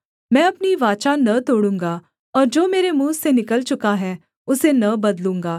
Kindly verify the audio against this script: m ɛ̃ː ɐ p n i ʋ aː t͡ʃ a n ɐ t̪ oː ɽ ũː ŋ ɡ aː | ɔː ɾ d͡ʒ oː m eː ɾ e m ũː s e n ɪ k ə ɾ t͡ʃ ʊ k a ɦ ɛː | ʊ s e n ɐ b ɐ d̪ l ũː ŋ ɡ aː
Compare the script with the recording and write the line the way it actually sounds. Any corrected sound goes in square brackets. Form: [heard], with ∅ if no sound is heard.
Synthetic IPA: m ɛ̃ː ɐ p n i ʋ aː t͡ʃ a n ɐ t̪ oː ɽ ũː ŋ ɡ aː | ɔː ɾ d͡ʒ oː m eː ɾ e m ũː s e n ɪ k ə [l] t͡ʃ ʊ k a ɦ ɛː | ʊ s e n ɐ b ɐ d̪ l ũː ŋ ɡ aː